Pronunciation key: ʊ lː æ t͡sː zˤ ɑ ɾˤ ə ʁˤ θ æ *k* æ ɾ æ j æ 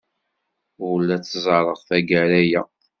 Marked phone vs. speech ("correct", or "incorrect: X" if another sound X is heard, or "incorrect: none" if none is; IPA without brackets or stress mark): incorrect: ɡ